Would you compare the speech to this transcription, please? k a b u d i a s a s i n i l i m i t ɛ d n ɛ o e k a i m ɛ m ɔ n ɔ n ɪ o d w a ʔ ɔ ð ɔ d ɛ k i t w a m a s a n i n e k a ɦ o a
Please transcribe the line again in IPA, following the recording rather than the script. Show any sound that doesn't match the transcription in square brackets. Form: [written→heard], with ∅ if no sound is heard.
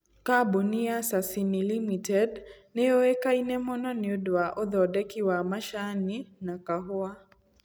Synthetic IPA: k a b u [d→n] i a s a s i n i l i m i t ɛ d n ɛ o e k a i [m→n] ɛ m ɔ n ɔ n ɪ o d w a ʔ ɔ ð ɔ d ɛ k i [t→∅] w a m a [s→ʃ] a n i n [e→a] k a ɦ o a